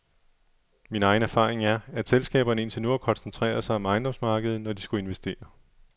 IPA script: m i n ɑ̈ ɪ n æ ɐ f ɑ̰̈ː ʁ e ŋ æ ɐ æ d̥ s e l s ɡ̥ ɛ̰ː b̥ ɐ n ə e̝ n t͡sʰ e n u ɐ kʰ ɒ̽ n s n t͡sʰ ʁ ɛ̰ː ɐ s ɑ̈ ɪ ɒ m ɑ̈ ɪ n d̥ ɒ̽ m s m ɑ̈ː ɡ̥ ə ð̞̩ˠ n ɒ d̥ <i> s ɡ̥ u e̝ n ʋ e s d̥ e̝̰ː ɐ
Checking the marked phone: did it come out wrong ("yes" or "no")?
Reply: no